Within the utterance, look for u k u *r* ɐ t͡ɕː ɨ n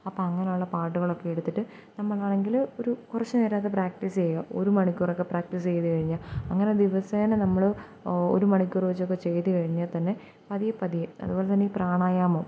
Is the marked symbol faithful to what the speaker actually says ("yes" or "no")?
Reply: yes